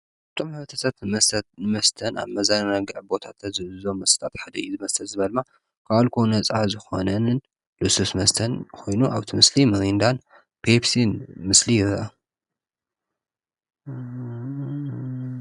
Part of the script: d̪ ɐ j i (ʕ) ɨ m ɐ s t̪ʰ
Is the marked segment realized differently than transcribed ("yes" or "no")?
yes